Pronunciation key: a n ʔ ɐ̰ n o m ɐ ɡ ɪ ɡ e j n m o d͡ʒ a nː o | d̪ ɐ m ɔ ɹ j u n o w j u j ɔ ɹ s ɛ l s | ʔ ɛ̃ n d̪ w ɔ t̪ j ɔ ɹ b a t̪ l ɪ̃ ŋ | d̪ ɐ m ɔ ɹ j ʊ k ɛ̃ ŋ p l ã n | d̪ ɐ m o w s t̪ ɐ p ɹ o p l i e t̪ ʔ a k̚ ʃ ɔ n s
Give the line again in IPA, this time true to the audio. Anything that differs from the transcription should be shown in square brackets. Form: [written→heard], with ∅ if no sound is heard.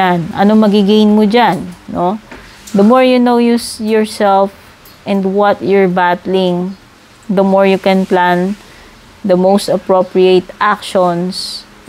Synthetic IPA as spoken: a n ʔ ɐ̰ n o m ɐ ɡ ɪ ɡ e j n m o d͡ʒ a nː o | d̪ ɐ m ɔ ɹ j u n o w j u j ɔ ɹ s ɛ l [s→f] | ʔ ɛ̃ n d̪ w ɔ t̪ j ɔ ɹ b a t̪ l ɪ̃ ŋ | d̪ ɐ m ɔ ɹ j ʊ k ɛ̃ [ŋ→n] p l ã n | d̪ ɐ m o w s t̪ ɐ p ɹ o p [l→ɹ] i e t̪ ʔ a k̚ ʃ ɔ n s